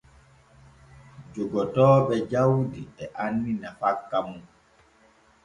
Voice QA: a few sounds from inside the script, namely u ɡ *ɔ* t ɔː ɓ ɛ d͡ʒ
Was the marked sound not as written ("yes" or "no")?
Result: no